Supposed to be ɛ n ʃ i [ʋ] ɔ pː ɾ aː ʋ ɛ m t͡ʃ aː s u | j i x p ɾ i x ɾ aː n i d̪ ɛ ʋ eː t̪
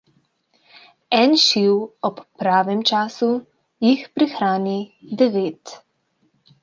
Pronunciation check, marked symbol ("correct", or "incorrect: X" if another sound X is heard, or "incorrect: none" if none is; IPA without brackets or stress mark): incorrect: w